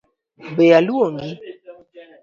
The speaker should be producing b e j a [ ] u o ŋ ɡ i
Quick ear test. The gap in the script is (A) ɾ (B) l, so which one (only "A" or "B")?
B